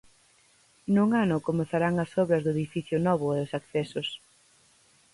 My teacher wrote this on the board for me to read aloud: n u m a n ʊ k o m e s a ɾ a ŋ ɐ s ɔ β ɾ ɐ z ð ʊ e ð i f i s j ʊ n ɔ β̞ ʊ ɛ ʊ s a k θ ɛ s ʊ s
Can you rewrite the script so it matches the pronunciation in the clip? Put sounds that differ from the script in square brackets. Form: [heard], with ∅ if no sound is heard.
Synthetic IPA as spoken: n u [ŋ] a n ʊ k o m e [θ] a ɾ a ŋ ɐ s ɔ β ɾ ɐ z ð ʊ e ð i f i [θ] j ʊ n ɔ β̞ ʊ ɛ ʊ s a k θ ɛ s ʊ s